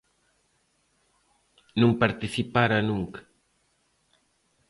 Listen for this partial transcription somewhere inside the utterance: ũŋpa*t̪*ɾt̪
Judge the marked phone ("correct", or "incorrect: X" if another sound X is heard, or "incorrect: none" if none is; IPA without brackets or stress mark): incorrect: none